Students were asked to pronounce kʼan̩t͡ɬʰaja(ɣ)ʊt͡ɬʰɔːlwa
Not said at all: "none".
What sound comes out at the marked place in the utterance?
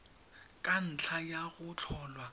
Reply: ɣ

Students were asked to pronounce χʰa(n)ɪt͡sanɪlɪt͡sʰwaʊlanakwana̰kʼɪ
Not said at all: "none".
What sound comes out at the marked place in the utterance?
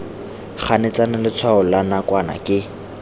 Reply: n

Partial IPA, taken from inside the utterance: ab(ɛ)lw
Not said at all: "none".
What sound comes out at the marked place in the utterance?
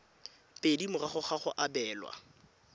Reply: ɛː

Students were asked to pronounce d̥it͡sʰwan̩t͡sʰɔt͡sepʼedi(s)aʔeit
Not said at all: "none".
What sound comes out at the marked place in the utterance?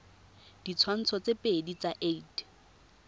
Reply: t͡s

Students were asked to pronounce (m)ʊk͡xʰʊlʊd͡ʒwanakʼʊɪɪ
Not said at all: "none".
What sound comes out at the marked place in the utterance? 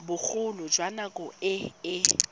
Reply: b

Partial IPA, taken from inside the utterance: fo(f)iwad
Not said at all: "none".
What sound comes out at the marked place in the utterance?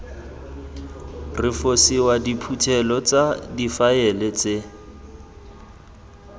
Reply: s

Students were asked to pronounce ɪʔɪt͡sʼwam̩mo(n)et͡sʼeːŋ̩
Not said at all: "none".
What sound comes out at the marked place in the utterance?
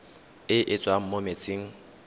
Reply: m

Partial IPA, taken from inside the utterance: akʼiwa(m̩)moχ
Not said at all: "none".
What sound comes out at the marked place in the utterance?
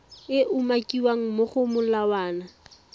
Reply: ŋ̩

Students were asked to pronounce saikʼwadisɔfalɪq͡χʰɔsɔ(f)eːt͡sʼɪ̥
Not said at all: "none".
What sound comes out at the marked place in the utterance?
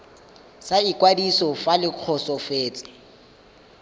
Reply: f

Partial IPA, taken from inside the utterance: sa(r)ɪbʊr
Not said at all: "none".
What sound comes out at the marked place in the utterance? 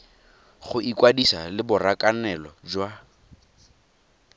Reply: l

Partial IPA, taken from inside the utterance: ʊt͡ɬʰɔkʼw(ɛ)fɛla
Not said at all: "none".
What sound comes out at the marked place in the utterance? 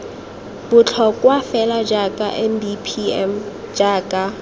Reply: a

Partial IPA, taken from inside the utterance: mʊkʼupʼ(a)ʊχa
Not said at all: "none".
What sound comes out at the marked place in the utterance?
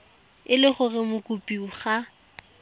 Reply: i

